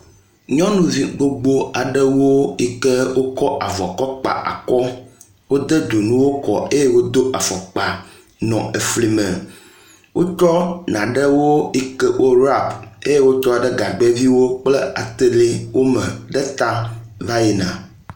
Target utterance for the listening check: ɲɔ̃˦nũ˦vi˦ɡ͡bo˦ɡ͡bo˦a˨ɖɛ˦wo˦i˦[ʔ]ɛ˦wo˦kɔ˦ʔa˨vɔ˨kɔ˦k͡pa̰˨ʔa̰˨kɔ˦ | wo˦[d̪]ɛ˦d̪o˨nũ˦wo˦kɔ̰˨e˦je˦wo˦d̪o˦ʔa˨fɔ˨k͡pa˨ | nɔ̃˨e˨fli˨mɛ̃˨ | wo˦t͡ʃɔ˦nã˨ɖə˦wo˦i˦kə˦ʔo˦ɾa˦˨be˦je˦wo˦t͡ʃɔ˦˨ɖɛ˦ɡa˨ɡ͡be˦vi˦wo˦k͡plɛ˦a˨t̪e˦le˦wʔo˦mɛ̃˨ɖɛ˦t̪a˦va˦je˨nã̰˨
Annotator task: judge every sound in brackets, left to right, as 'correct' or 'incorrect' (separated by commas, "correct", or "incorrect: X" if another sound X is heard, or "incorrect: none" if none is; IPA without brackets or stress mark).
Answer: incorrect: k, correct